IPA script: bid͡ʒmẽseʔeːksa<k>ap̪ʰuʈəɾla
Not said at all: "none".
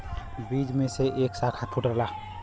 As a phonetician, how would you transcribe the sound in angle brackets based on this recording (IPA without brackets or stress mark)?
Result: kʰ